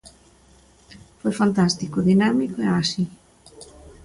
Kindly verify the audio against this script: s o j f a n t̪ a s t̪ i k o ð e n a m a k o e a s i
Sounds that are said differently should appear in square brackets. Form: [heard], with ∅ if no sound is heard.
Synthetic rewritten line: [f] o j f a n t̪ a s t̪ i k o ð [i] n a m [i] k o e a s i